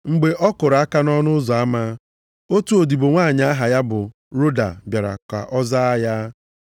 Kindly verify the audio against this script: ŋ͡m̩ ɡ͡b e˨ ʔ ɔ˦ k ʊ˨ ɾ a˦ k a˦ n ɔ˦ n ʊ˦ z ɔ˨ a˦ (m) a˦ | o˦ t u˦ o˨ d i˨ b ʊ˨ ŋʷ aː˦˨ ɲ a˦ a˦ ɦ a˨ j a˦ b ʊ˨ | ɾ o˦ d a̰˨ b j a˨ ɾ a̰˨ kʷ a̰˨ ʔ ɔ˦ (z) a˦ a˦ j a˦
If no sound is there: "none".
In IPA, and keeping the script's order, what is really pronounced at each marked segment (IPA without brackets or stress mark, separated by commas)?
m, z